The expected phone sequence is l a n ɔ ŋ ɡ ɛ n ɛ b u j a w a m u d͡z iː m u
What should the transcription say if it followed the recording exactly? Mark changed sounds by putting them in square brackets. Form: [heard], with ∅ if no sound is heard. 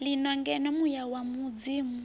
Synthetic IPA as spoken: l [i] n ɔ ŋ ɡ ɛ n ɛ [m] u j a w a m u d͡z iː m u

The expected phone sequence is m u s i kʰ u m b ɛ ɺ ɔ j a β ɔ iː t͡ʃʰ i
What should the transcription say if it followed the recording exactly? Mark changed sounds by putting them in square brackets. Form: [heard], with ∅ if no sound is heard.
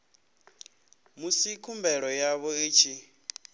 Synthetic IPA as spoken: m u s i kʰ u m b ɛ ɺ ɔ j a β ɔ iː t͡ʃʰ i

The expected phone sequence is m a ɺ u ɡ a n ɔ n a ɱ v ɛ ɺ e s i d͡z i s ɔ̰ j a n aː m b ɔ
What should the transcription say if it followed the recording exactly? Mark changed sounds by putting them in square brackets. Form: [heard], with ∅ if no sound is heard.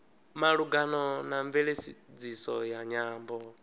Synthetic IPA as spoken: m a ɺ u ɡ a n ɔ n a ɱ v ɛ ɺ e s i d͡z i s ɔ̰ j a [ɲ] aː m b ɔ

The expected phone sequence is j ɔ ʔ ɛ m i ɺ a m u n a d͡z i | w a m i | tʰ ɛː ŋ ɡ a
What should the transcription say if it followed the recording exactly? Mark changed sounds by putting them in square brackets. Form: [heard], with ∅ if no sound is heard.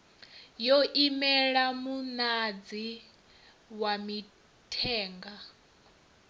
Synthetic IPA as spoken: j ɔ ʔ [i] m [ɛ] ɺ a m u n a d͡z i | w a m i | tʰ ɛː ŋ ɡ a

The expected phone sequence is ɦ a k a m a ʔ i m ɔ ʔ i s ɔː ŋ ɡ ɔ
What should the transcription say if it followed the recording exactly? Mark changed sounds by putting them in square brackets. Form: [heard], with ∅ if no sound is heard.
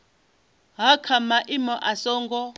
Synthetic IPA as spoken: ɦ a [kʰ] a m a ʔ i m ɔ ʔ [a] s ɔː ŋ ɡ ɔ

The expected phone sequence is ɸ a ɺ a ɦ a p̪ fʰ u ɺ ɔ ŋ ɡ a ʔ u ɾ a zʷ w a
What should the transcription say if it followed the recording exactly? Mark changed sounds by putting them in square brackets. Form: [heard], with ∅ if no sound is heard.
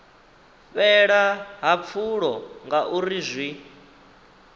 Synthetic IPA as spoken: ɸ [ɛ] ɺ a ɦ a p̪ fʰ u ɺ ɔ ŋ ɡ a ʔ u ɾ [i] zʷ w [i]

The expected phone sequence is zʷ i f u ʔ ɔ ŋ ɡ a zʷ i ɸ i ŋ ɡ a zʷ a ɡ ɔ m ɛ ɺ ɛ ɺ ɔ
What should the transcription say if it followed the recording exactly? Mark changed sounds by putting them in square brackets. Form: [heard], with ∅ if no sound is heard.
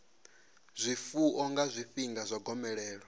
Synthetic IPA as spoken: zʷ i f u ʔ ɔ ŋ ɡ a zʷ i ɸ i ŋ ɡ a zʷ a ɡ ɔ m ɛ ɺ [ɛː] ɺ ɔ

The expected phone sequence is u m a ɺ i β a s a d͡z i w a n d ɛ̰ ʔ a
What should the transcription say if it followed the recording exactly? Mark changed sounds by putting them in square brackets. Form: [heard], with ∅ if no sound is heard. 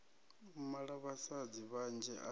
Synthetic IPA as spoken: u m a ɺ [a] β a s a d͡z i [β] a n [d͡ʒ] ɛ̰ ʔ a

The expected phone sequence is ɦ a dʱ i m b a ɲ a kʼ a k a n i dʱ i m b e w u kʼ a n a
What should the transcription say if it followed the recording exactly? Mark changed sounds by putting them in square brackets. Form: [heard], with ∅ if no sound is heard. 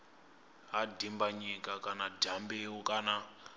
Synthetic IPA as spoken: ɦ a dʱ i m b a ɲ [i] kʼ a k a n [a] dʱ [a] m b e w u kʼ a n a

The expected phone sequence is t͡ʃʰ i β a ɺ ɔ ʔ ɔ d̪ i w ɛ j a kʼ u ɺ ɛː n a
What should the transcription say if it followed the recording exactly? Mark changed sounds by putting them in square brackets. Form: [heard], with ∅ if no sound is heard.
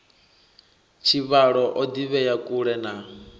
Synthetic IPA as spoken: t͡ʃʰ i β a ɺ ɔ ʔ ɔ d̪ i [β] ɛ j a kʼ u ɺ [ɛ] n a

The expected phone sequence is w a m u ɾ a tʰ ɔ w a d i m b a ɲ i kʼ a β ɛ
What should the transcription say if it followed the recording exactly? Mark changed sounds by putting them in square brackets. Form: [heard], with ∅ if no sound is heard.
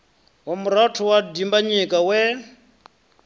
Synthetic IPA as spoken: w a m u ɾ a tʰ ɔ w a d i m b a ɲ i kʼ a [w] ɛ

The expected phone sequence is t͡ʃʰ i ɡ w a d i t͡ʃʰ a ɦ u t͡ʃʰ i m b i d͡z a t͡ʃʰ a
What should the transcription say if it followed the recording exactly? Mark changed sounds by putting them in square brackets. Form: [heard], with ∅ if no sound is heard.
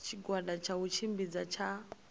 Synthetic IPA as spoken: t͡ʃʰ i ɡ w a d [a] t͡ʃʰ a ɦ u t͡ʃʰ i m b i d͡z a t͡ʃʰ a

